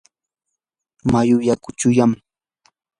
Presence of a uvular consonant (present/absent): absent